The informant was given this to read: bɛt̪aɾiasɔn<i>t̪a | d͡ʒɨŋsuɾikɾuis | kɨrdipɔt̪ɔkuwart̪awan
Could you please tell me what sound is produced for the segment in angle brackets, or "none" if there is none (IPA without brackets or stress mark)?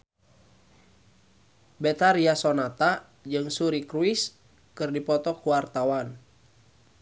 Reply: a